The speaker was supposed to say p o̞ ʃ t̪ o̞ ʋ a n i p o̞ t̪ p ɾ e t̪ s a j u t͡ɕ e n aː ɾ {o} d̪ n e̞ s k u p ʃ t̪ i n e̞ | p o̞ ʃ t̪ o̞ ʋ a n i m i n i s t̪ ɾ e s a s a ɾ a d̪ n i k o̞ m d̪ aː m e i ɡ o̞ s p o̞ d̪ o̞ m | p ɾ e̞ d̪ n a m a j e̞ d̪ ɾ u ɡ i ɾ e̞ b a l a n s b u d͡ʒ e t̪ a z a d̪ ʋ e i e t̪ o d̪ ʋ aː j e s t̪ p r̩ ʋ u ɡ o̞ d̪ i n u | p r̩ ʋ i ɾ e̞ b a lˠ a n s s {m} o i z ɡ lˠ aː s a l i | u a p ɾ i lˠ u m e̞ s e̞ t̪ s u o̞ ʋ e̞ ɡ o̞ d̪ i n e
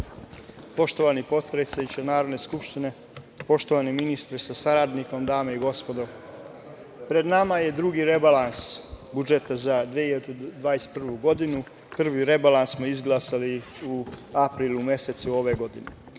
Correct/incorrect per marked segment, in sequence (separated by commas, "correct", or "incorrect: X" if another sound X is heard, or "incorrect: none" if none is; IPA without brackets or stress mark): correct, correct